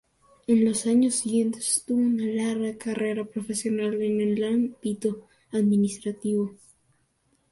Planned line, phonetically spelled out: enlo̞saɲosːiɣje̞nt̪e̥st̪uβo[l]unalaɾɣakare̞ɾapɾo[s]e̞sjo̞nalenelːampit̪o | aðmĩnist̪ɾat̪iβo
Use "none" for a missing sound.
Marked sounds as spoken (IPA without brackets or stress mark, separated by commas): none, f